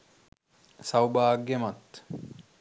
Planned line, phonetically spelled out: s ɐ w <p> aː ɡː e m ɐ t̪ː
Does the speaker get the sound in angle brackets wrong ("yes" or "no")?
yes